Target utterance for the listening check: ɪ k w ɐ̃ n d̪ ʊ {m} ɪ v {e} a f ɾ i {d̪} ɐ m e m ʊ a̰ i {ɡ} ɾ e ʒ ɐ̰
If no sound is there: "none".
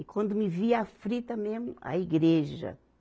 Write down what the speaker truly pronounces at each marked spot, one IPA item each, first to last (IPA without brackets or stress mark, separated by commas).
m, i, t̪, ɡ